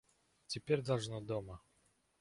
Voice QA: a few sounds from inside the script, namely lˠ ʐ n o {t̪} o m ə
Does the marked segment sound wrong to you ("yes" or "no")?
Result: yes